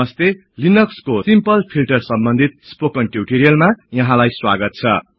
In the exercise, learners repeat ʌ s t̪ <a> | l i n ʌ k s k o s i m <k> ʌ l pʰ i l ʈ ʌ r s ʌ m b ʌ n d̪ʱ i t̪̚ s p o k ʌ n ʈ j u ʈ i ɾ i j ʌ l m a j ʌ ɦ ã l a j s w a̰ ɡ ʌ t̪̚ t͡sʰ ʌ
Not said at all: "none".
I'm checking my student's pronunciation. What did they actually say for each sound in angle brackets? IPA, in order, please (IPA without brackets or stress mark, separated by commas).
e, p